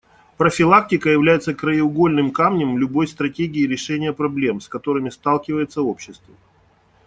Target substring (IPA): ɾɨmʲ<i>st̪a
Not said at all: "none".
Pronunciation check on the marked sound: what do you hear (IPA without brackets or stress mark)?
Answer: ɪ